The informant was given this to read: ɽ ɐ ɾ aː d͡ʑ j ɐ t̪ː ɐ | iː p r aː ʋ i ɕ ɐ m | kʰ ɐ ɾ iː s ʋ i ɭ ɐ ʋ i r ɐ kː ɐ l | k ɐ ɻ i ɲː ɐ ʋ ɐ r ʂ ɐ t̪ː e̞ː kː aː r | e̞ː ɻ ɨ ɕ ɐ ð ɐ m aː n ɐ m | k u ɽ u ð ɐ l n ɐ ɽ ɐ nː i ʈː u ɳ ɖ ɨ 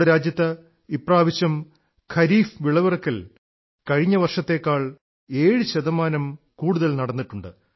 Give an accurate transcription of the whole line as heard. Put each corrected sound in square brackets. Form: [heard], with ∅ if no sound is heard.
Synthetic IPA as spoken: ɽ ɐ ɾ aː d͡ʑ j ɐ t̪ː ɐ | [i] p r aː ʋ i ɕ ɐ m | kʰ ɐ ɾ iː [f] ʋ i ɭ ɐ ʋ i r ɐ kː ɐ l | k ɐ ɻ i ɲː ɐ ʋ ɐ r ʂ ɐ t̪ː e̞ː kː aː [ɭ] | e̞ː ɻ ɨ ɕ ɐ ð ɐ m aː n ɐ m | k [uː] ɽ u ð ɐ l n ɐ ɽ ɐ nː i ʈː u ɳ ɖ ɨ